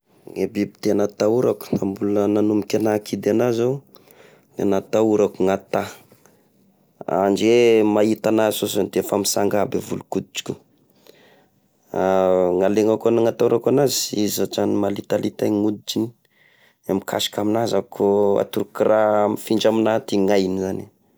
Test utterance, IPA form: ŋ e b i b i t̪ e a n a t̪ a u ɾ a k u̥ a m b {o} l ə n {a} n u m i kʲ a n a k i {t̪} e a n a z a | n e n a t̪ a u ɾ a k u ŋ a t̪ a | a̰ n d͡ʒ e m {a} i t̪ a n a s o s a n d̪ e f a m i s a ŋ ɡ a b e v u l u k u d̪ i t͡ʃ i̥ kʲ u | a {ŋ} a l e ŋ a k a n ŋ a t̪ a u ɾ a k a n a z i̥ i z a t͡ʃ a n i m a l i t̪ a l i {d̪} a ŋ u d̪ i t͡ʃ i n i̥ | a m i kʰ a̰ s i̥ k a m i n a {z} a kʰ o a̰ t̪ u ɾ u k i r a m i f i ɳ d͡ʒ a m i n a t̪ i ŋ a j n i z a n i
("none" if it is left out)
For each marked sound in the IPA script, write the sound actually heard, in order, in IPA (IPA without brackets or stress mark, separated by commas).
u, a, d̪, a, ŋ, t̪, z